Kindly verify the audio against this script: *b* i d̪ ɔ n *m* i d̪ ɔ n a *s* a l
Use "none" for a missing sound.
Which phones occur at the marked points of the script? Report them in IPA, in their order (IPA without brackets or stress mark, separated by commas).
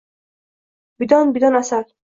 b, b, s